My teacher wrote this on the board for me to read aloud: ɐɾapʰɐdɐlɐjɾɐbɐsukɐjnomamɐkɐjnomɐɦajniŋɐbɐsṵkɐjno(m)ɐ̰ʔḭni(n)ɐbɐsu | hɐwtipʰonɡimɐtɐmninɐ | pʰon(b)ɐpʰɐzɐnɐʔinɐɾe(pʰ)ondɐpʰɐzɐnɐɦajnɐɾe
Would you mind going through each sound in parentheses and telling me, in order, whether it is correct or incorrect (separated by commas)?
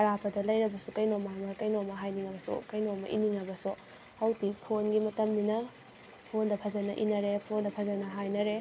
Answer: correct, incorrect, incorrect, correct